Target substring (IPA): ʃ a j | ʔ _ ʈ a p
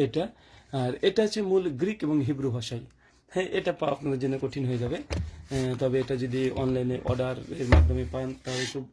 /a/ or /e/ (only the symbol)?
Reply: e